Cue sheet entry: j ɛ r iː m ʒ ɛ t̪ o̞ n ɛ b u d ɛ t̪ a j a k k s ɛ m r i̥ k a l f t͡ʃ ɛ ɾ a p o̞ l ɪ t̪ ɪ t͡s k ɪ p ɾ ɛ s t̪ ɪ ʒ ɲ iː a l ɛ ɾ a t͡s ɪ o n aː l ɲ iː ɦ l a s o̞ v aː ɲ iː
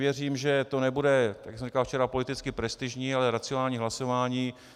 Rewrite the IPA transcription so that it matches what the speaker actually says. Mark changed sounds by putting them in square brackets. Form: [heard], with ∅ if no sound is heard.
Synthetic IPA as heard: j ɛ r iː m ʒ ɛ t̪ o̞ n ɛ b u d ɛ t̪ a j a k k s ɛ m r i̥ k a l f t͡ʃ ɛ ɾ a p o̞ l ɪ t̪ ɪ t͡s k ɪ p ɾ ɛ s t̪ ɪ ʒ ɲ iː a l ɛ ɾ a t͡s ɪ o n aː l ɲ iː ɦ l a s o̞ v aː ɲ iː

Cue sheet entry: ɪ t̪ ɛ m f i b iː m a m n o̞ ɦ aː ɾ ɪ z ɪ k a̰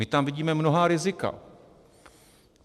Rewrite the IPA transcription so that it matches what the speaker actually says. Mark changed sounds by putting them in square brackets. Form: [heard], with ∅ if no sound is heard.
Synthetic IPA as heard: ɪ t̪ [a] m [v] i [ɟ] iː m [ɛ] m n o̞ ɦ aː ɾ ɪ z ɪ k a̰

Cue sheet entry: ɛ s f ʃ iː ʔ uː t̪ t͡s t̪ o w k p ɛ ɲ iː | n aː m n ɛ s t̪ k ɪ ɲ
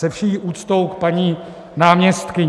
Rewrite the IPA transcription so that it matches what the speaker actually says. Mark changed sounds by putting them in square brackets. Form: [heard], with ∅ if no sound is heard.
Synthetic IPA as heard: ɛ [∅] f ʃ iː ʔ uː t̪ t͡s t̪ o w k p [a] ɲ iː | n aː m [ɲ] ɛ s t̪ k ɪ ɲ

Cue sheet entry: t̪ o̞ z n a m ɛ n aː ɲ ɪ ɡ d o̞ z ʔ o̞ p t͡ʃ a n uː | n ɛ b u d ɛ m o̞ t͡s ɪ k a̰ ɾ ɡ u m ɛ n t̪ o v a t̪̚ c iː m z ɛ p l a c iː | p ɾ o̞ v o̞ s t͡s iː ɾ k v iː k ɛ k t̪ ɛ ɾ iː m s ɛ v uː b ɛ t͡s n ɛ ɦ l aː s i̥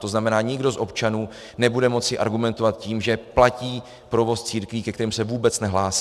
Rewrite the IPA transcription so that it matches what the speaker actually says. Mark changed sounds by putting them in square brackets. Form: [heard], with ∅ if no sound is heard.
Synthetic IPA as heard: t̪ o̞ z n a m ɛ n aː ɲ ɪ ɡ d o̞ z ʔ o̞ p t͡ʃ a n uː | n ɛ b u d ɛ m o̞ t͡s ɪ [ʔ] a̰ ɾ ɡ u m ɛ n t̪ o v a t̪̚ c iː m [ʒ] ɛ p l a c iː | p ɾ o̞ v o̞ s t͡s iː ɾ k v iː k ɛ k t̪ ɛ ɾ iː m s ɛ v uː b ɛ t͡s n ɛ ɦ l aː s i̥

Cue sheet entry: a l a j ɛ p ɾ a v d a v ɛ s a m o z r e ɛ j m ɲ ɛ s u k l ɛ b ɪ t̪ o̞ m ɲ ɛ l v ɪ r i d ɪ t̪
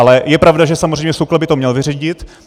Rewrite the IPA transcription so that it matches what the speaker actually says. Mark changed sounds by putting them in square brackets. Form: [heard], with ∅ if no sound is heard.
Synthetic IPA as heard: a l [ɛ] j ɛ p ɾ a v d a [ʒ] ɛ s a m o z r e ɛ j m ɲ ɛ s u k l ɛ b ɪ t̪ o̞ m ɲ ɛ l v ɪ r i [ɟ] ɪ t̪

